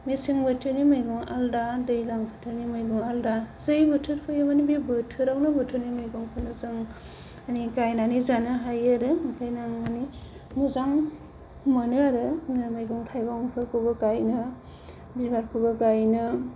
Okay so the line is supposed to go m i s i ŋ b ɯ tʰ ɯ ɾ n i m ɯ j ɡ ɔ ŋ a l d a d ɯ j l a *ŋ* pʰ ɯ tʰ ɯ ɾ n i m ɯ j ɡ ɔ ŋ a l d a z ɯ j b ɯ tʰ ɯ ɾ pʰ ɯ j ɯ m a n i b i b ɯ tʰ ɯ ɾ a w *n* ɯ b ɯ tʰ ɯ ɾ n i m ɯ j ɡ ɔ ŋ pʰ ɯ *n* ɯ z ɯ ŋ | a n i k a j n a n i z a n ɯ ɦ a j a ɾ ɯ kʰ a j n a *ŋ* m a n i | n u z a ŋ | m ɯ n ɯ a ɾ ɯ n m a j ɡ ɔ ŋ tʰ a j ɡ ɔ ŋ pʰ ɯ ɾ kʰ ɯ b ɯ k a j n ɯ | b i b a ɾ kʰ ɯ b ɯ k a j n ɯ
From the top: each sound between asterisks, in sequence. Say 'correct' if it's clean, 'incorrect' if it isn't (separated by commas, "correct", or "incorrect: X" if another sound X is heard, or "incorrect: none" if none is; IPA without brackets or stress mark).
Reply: correct, correct, correct, correct